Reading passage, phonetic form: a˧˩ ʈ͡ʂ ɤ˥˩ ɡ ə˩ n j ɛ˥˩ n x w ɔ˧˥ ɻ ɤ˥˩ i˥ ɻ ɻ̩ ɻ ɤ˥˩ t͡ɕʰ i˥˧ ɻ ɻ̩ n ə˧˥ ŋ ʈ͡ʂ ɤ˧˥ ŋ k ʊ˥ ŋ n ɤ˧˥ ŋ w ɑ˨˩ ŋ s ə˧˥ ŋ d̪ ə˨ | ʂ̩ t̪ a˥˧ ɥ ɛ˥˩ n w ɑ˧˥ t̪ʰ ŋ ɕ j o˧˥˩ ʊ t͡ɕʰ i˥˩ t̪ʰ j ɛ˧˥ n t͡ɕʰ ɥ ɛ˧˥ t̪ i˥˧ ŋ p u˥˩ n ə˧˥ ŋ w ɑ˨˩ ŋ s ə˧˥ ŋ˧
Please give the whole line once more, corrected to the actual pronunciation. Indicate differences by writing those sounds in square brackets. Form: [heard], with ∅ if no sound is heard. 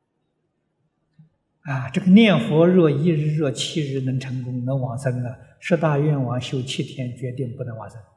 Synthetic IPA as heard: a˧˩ ʈ͡ʂ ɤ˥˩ ɡ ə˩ n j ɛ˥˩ n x w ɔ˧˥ ɻ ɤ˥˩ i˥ ɻ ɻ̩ ɻ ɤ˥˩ t͡ɕʰ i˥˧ ɻ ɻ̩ n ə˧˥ ŋ [ʈ͡ʂʰ] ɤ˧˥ ŋ k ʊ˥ ŋ n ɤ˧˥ ŋ w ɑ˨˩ ŋ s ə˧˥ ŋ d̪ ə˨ | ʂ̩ t̪ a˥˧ ɥ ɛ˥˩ n w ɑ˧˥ [∅] ŋ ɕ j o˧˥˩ ʊ t͡ɕʰ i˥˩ t̪ʰ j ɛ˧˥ n [t͡ɕ] ɥ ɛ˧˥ t̪ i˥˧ ŋ p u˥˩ n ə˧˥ ŋ w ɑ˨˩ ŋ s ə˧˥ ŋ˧